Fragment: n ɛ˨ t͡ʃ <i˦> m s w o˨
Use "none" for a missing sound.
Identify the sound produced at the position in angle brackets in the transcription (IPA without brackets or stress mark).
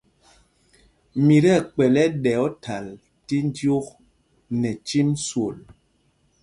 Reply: i˦